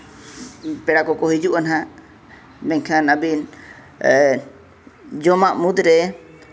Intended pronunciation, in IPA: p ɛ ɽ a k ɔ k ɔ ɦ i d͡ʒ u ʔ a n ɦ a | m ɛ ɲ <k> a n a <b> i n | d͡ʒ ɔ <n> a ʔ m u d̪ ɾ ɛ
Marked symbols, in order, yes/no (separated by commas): no, yes, no